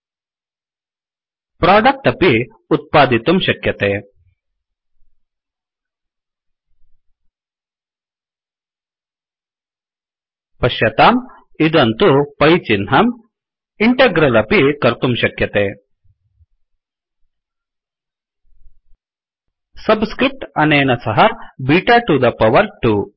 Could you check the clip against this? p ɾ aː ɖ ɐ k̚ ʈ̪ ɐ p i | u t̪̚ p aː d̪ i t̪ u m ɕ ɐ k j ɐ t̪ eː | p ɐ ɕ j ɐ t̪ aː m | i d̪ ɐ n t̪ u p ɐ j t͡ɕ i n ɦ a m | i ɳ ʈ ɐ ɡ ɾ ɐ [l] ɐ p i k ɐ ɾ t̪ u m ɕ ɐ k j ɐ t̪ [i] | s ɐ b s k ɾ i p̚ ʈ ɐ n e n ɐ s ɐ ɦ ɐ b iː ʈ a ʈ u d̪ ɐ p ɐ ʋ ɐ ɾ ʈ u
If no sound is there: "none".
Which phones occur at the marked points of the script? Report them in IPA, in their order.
l, e

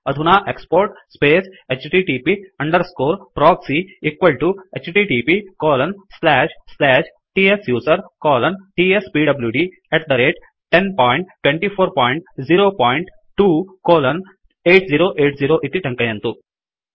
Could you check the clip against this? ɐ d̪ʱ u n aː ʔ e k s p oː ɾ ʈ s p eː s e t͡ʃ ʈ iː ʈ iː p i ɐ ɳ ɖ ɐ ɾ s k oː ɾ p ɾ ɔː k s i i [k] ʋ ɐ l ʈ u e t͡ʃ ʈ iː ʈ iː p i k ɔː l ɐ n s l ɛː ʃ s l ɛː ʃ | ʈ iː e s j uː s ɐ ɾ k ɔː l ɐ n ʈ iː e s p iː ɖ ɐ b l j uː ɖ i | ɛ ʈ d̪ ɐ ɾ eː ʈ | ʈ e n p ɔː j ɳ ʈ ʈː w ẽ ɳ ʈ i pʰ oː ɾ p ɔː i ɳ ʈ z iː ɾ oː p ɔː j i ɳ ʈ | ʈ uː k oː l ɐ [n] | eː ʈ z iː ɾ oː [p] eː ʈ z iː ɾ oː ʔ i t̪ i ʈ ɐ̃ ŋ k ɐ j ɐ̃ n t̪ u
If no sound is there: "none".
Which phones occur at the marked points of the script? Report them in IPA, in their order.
k, n, ʔ

